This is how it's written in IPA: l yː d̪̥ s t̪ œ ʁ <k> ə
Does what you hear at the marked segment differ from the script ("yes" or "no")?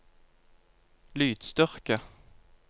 no